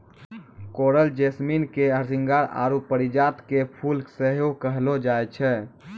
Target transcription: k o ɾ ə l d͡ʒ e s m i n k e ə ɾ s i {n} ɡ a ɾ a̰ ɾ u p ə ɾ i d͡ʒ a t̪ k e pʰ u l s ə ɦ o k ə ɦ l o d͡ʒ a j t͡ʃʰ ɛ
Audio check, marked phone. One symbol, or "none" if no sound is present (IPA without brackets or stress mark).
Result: ŋ